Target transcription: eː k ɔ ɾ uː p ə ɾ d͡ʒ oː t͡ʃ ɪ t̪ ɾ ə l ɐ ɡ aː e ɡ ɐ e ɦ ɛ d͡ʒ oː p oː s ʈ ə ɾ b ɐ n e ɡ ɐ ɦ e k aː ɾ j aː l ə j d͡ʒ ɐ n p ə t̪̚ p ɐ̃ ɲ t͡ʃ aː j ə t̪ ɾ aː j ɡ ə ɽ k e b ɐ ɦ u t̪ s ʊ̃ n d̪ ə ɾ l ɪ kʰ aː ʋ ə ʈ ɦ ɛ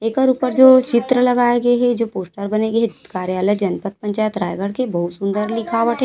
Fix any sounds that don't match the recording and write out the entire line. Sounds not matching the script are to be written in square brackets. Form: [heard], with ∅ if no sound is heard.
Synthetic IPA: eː k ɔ ɾ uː p ə ɾ d͡ʒ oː t͡ʃ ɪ t̪ ɾ ə l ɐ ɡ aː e ɡ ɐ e ɦ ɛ d͡ʒ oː p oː s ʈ ə ɾ b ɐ n e ɡ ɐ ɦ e k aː ɾ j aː l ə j d͡ʒ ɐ n p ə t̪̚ p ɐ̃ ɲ t͡ʃ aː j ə t̪ ɾ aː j ɡ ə ɽ k e b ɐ ɦ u t̪ s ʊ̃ n d̪ ə ɾ l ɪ kʰ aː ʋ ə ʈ ɦ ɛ